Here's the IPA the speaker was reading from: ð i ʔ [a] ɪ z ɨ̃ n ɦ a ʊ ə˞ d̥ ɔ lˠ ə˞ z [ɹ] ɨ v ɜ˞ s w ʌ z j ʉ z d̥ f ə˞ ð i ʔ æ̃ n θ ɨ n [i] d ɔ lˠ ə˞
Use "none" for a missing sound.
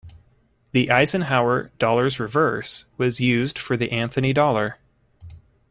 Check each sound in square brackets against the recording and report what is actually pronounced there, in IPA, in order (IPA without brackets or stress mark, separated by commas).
a, ɹ, i